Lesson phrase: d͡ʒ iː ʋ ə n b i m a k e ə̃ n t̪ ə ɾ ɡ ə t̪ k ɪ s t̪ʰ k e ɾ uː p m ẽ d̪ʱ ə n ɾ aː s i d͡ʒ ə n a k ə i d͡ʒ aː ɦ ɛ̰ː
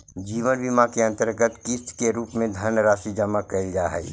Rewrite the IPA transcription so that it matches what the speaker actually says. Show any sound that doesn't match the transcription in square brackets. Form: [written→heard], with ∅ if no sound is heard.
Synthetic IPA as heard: d͡ʒ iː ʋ ə n b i m a k e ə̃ n t̪ ə ɾ ɡ ə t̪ k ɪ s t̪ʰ k e ɾ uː p m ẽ d̪ʱ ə n ɾ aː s i d͡ʒ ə [n→m] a k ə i d͡ʒ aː ɦ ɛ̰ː